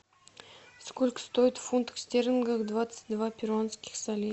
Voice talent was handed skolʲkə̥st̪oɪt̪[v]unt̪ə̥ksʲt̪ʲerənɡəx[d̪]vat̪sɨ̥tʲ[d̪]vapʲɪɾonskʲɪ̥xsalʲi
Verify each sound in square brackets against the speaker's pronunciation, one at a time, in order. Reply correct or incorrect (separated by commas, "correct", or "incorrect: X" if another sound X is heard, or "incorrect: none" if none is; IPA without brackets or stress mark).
incorrect: f, correct, correct